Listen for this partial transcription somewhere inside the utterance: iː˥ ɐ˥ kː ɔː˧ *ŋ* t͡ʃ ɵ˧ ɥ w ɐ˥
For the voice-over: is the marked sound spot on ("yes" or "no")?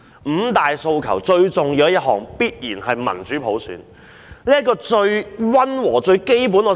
no